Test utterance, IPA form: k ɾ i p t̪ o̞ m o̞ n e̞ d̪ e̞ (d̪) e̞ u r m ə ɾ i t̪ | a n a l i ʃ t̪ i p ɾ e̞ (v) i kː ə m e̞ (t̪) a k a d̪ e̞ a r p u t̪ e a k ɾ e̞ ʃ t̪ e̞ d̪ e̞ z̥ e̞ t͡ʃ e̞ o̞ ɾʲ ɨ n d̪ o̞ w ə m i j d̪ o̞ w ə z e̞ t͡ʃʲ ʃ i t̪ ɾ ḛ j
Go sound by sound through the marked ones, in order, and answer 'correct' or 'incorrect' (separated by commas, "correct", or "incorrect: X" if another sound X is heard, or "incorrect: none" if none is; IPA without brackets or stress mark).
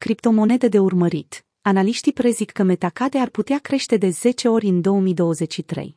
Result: correct, incorrect: z, correct